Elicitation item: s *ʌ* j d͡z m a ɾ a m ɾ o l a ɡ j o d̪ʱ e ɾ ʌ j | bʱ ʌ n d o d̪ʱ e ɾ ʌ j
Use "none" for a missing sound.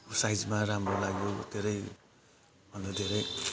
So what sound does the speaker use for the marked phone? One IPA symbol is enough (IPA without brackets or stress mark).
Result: a